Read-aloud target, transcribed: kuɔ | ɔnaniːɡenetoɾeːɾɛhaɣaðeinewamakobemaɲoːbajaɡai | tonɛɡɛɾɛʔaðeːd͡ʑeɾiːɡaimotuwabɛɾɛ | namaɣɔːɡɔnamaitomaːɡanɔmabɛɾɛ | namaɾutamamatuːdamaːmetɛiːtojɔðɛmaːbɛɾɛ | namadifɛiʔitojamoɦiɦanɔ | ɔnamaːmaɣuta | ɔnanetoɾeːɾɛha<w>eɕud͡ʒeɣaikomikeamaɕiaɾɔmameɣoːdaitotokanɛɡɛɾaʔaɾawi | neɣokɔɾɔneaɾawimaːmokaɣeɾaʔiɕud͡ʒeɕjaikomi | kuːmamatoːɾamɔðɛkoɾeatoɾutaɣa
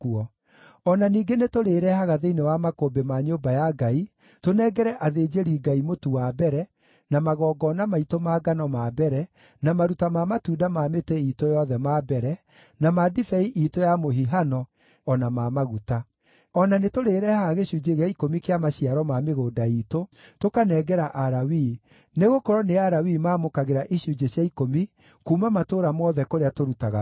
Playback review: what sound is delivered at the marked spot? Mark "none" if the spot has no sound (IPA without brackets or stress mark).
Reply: ɣ